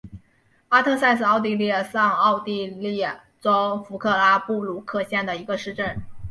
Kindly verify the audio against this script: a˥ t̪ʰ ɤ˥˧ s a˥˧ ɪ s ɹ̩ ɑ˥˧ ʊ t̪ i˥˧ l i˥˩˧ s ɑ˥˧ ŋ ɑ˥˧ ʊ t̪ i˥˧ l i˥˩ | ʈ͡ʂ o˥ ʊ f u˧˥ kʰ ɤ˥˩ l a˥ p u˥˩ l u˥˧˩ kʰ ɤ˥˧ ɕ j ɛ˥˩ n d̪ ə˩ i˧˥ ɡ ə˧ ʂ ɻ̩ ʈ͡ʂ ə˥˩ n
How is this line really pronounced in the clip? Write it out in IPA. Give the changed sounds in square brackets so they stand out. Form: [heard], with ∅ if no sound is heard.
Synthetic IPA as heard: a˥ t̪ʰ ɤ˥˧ s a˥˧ ɪ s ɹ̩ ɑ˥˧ ʊ t̪ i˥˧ l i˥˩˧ s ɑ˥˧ ŋ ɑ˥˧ ʊ t̪ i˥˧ l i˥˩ | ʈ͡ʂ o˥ ʊ f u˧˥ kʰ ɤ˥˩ l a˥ p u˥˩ l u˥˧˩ kʰ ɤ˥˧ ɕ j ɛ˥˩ n d̪ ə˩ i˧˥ ɡ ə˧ ʂ ɻ̩ ʈ͡ʂ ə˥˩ n